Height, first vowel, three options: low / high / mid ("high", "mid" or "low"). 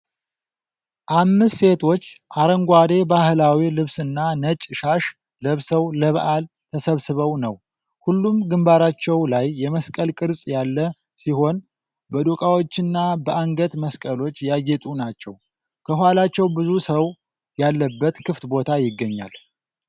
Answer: low